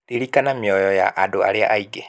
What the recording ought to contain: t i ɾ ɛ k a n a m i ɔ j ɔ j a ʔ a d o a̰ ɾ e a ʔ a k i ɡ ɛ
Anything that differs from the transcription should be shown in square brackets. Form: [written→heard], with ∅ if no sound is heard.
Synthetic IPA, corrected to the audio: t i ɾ [ɛ→i] k a n a m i ɔ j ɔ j a ʔ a d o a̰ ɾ e a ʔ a [k→∅] i ɡ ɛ